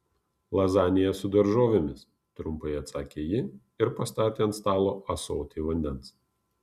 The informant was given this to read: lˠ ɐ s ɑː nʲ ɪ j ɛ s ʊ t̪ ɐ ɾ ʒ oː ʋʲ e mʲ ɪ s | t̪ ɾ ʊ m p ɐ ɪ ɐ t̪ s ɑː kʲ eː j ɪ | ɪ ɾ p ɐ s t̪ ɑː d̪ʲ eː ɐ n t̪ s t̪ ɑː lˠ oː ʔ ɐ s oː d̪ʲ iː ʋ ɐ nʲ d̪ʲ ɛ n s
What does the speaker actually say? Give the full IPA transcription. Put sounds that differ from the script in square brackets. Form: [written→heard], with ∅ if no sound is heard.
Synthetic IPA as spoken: lˠ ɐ [s→z] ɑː nʲ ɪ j ɛ s ʊ [t̪→d̪] ɐ ɾ ʒ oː ʋʲ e mʲ ɪ s | t̪ ɾ ʊ m p ɐ ɪ ɐ t̪ s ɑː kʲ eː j ɪ | ɪ ɾ p ɐ s t̪ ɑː [d̪ʲ→t̪ʲ] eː ɐ n t̪ s t̪ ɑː lˠ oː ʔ ɐ s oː [d̪ʲ→t̪ʲ] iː ʋ ɐ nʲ d̪ʲ ɛ n s